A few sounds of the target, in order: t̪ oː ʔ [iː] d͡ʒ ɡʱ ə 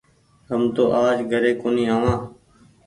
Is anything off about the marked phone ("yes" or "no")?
yes